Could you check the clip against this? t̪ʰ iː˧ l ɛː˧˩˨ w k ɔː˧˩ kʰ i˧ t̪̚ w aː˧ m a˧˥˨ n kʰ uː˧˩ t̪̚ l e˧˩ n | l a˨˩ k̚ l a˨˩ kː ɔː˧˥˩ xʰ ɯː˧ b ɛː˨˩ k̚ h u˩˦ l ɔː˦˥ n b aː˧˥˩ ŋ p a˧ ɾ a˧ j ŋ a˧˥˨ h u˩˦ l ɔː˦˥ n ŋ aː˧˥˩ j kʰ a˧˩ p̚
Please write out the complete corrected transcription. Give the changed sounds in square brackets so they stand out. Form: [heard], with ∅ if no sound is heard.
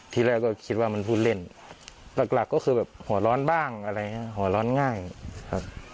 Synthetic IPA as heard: t̪ʰ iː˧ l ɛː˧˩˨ w k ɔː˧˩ kʰ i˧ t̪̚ w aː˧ m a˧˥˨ n [pʰ] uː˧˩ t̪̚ l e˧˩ n | l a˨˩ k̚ l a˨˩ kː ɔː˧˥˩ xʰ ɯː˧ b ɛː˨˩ [p̚] h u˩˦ l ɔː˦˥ n b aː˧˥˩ ŋ [ʔ] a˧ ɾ a˧ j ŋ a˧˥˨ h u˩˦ l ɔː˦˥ n ŋ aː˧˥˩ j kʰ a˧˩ p̚